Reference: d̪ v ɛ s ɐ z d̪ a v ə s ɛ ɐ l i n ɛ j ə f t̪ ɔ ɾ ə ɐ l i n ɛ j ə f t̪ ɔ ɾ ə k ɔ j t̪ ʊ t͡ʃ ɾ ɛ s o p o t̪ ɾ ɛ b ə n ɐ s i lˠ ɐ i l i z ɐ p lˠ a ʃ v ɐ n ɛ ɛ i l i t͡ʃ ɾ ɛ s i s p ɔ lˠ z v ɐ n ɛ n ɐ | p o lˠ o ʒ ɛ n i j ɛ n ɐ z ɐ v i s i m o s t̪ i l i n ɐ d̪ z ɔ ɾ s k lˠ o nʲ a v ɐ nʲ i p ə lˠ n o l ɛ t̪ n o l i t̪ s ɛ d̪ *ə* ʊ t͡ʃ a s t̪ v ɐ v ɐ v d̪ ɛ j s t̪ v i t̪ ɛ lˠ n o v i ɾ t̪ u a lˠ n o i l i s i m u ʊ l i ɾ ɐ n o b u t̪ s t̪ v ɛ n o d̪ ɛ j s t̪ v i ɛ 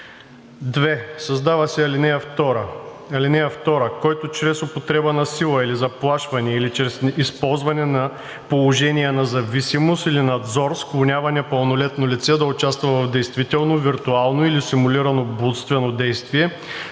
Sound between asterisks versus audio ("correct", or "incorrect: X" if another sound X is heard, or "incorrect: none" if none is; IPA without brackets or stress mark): incorrect: ɐ